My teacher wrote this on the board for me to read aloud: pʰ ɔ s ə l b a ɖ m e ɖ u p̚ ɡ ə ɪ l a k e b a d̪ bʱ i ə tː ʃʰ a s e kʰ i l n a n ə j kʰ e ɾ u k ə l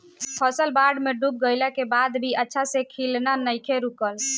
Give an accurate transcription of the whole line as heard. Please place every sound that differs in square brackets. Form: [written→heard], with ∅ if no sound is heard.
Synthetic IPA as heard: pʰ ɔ s ə l b a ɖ m e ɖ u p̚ ɡ ə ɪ l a k e b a d̪ bʱ i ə tː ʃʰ a s e kʰ i l n a n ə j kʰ e ɾ u k ə l